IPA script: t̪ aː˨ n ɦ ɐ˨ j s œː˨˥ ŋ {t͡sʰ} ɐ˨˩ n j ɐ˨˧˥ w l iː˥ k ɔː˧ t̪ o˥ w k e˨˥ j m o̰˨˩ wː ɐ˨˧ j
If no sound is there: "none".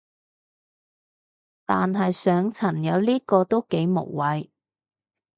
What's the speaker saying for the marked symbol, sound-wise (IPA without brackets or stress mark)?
t͡sʰ